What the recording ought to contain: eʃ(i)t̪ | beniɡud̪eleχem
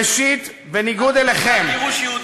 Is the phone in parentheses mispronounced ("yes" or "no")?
no